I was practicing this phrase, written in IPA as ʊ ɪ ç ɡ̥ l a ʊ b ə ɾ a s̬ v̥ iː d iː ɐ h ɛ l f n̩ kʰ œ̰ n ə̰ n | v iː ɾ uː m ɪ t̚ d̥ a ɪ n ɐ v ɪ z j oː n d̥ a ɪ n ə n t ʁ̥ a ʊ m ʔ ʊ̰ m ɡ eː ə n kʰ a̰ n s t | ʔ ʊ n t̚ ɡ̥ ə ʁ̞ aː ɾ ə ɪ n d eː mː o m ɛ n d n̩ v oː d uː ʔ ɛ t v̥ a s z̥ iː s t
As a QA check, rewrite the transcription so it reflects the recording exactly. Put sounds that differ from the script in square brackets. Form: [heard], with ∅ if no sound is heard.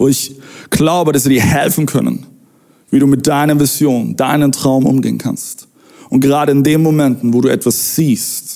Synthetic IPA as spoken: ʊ ɪ ç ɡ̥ l a ʊ b ə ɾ a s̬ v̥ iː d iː ɐ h ɛ l f n̩ kʰ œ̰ n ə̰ n | v iː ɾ uː m ɪ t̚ d̥ a ɪ n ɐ v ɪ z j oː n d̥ a ɪ n ə n t ʁ̥ a ʊ m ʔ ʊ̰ m ɡ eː ə n kʰ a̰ n s t | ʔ ʊ n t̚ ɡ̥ ə ʁ̞ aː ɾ ə ɪ n d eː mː o m ɛ n [t] n̩ v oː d uː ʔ ɛ t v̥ a s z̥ iː s t